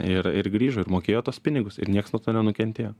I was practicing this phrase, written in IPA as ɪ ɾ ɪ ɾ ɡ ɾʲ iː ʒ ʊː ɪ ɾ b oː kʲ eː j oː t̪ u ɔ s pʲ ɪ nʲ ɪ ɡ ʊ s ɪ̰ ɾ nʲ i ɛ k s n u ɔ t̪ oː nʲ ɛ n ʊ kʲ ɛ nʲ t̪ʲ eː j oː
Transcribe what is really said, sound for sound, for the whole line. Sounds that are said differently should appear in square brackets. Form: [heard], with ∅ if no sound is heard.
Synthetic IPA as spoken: ɪ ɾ ɪ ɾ ɡ ɾʲ iː ʒ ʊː ɪ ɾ [m] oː kʲ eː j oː t̪ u ɔ s pʲ ɪ nʲ ɪ ɡ ʊ s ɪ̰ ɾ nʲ i ɛ k s n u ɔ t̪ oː nʲ ɛ n ʊ kʲ ɛ nʲ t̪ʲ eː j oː

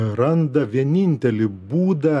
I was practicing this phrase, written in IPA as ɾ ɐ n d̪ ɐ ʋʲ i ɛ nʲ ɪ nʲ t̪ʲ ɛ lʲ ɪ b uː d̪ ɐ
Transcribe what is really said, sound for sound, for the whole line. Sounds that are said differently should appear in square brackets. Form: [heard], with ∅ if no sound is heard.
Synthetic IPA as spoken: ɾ ɐ n d̪ ɐ ʋʲ i ɛ nʲ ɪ nʲ t̪ʲ ɛ lʲ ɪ b uː d̪ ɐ

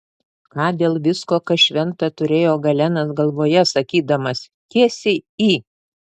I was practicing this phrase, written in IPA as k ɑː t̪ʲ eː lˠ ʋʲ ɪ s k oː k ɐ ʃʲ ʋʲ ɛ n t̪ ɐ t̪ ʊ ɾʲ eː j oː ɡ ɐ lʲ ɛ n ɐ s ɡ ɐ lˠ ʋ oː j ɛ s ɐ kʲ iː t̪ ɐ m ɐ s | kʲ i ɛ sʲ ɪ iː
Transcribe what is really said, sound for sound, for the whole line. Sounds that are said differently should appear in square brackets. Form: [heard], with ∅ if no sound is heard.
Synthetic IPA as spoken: k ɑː [d̪ʲ] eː lˠ ʋʲ ɪ s k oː k ɐ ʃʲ ʋʲ ɛ n t̪ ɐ t̪ ʊ ɾʲ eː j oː ɡ ɐ lʲ ɛ n ɐ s ɡ ɐ lˠ ʋ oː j ɛ s ɐ kʲ iː [d̪] ɐ m ɐ s | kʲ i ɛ sʲ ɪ iː

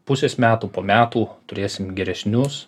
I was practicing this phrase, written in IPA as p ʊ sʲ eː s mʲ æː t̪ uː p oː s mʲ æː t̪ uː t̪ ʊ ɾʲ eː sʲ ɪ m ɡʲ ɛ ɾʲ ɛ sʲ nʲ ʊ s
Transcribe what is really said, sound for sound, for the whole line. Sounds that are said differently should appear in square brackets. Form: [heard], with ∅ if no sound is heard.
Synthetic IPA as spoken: p ʊ sʲ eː s mʲ æː t̪ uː p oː [∅] mʲ æː t̪ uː t̪ ʊ ɾʲ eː sʲ ɪ m ɡʲ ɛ ɾʲ ɛ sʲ nʲ ʊ s

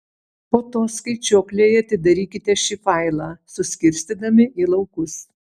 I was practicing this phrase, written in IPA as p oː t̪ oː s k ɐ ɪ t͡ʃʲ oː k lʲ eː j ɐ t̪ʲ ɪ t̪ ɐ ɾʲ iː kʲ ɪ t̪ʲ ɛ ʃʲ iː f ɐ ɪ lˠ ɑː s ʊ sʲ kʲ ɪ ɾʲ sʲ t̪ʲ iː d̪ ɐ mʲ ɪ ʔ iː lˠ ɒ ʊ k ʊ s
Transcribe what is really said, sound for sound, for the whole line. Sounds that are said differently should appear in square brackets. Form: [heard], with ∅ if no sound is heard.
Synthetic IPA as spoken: p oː t̪ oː s k ɐ ɪ t͡ʃʲ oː k lʲ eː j ɐ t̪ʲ ɪ [d̪] ɐ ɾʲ iː kʲ ɪ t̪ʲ ɛ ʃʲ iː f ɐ ɪ lˠ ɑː s ʊ sʲ kʲ ɪ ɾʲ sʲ t̪ʲ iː d̪ ɐ mʲ ɪ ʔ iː lˠ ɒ ʊ k ʊ s

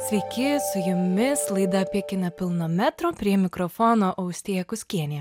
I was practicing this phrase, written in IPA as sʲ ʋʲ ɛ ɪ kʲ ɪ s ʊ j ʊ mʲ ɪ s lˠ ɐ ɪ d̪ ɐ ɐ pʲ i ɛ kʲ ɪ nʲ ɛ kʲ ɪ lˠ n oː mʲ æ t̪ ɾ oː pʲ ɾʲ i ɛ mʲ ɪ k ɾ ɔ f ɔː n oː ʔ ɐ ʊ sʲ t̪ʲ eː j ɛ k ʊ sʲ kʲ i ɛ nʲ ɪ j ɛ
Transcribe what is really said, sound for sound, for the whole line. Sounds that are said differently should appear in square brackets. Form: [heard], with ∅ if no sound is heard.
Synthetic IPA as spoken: sʲ ʋʲ ɛ ɪ kʲ ɪ s ʊ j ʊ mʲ ɪ s lˠ ɐ ɪ d̪ ɐ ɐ pʲ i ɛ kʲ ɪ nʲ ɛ [pʲ] ɪ lˠ n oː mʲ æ t̪ ɾ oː pʲ ɾʲ i ɛ mʲ ɪ k ɾ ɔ f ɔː n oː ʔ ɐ ʊ sʲ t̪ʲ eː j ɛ k ʊ sʲ kʲ i ɛ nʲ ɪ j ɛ

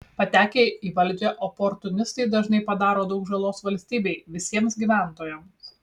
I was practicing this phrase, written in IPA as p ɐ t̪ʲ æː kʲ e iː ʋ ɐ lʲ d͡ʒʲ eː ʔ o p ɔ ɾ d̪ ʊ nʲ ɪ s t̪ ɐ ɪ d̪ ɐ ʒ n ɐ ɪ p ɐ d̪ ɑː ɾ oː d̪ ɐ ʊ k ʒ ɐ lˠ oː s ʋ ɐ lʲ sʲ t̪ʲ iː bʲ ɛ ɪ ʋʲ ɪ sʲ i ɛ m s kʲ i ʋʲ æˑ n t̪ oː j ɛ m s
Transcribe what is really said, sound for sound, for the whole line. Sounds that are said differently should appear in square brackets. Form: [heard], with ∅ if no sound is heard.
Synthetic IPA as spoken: p ɐ t̪ʲ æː kʲ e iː ʋ ɐ lʲ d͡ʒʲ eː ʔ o p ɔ ɾ [t̪] ʊ nʲ ɪ s t̪ ɐ ɪ d̪ ɐ ʒ n ɐ ɪ p ɐ d̪ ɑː ɾ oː d̪ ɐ ʊ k ʒ ɐ lˠ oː s ʋ ɐ lʲ sʲ t̪ʲ iː bʲ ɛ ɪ ʋʲ ɪ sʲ i ɛ m s [ɡʲ] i ʋʲ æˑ n t̪ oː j ɛ m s

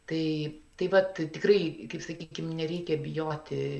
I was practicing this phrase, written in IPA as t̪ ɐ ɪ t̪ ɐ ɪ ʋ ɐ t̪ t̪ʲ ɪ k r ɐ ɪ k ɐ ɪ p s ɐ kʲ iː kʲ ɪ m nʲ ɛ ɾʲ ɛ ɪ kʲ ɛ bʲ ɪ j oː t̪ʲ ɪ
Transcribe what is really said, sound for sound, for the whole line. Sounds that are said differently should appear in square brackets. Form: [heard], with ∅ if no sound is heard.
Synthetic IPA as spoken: t̪ ɐ ɪ t̪ ɐ ɪ ʋ ɐ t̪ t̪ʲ ɪ k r ɐ ɪ k ɐ ɪ p s ɐ kʲ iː kʲ ɪ m nʲ ɛ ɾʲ ɛ ɪ kʲ ɛ bʲ ɪ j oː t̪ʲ ɪ

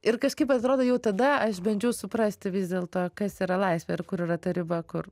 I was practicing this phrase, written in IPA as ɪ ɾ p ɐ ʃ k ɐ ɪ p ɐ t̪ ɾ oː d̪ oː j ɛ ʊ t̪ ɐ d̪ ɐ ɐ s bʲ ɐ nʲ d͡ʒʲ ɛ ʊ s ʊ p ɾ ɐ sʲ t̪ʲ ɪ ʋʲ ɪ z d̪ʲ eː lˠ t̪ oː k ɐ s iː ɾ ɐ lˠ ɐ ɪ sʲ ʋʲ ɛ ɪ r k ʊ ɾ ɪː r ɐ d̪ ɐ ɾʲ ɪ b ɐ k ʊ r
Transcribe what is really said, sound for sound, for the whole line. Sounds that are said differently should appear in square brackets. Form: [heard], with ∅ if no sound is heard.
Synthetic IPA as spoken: ɪ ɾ [k] ɐ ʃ k ɐ ɪ p ɐ t̪ ɾ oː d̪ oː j ɛ ʊ t̪ ɐ d̪ ɐ ɐ [ʃ] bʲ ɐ nʲ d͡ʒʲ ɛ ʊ s ʊ p ɾ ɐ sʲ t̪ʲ ɪ ʋʲ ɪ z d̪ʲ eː lˠ t̪ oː k ɐ s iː ɾ ɐ lˠ ɐ ɪ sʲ ʋʲ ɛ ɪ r k ʊ ɾ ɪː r ɐ [t̪] ɐ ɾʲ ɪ b ɐ k ʊ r

